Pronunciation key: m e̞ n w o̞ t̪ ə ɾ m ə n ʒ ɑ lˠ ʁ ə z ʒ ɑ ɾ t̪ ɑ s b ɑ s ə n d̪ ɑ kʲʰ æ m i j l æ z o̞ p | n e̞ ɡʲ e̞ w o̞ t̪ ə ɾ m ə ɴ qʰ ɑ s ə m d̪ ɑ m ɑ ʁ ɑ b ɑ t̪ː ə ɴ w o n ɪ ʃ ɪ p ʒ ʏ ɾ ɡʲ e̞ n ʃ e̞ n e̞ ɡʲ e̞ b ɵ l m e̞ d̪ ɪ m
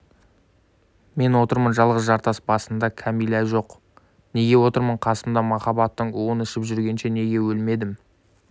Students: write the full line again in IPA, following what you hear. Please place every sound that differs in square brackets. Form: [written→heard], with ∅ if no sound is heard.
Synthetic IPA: m e̞ n w o̞ t̪ ə ɾ m ə n ʒ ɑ lˠ ʁ ə z ʒ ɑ ɾ t̪ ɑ s b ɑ s ə n d̪ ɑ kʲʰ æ m i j l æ [z→ʒ] o̞ [p→q] | n e̞ ɡʲ e̞ w o̞ t̪ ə ɾ m ə ɴ qʰ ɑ s ə m d̪ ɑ m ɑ [ʁ→χ] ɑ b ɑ t̪ː ə ɴ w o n ɪ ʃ ɪ p ʒ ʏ ɾ ɡʲ e̞ n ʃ e̞ n e̞ ɡʲ e̞ [b→w] ɵ l m e̞ d̪ ɪ m